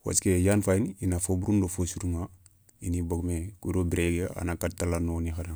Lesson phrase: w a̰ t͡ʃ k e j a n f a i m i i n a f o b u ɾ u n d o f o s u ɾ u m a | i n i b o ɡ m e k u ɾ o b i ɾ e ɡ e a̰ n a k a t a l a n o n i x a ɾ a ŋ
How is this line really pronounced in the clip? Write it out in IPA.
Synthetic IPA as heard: w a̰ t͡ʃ k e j a n f a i n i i n a f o b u ɾ u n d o f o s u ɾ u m a | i n i b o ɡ m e k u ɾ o b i ɾ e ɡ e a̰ n a k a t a l a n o n i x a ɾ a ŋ